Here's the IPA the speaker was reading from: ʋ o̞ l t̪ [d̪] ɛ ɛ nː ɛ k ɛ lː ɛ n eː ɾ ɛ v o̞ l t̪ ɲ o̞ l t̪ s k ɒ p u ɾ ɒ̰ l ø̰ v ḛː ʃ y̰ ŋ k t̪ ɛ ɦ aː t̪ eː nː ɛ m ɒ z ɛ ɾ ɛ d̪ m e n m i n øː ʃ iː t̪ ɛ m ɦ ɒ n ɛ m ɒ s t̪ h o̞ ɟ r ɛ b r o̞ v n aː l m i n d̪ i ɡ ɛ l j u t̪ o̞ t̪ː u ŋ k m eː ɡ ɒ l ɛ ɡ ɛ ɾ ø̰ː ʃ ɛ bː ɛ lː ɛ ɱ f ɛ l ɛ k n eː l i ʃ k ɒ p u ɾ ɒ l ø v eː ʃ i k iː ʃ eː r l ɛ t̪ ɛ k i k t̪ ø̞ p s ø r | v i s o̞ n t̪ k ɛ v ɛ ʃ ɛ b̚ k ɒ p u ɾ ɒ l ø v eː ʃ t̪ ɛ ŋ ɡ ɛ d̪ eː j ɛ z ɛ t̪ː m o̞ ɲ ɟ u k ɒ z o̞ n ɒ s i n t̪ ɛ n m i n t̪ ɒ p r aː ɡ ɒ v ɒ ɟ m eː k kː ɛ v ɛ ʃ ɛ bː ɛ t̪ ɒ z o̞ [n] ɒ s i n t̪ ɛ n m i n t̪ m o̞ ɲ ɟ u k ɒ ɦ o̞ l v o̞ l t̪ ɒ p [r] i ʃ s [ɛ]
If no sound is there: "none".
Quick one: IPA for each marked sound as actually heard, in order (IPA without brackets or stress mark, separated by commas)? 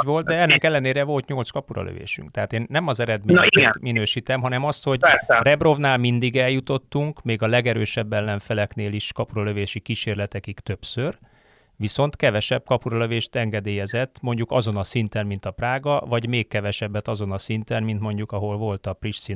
d̪, n, r, i